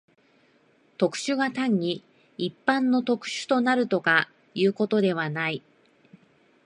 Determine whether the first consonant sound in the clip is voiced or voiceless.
voiceless